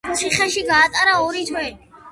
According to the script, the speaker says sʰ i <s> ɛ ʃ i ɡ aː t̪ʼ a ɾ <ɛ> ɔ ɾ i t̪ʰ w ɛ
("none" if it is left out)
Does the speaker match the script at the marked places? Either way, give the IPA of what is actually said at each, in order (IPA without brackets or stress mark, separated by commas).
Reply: χ, a